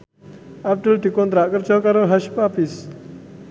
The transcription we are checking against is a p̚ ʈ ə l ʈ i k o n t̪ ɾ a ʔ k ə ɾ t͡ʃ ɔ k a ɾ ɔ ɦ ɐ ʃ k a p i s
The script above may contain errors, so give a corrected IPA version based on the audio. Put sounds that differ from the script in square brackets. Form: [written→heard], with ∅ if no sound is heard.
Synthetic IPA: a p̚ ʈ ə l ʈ i k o n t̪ ɾ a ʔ k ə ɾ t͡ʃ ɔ k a ɾ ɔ ɦ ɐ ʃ [k→p] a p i s